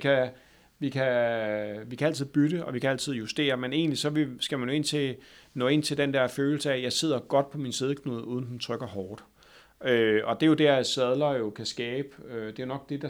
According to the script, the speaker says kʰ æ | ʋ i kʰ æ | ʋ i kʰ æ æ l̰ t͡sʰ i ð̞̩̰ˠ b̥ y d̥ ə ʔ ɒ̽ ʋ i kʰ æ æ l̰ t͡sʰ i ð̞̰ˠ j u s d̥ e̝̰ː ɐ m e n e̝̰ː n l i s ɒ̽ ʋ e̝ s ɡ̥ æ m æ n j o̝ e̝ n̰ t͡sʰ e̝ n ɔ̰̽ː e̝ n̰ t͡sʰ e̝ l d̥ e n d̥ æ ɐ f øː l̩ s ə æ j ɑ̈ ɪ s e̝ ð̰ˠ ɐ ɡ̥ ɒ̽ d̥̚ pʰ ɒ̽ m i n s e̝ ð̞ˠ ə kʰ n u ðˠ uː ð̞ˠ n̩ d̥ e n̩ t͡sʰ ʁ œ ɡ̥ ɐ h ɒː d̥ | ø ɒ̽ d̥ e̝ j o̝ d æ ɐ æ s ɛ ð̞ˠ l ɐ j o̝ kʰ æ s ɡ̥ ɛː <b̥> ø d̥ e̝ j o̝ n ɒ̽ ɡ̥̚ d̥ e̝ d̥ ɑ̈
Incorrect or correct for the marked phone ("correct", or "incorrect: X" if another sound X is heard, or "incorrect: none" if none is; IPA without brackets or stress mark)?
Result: correct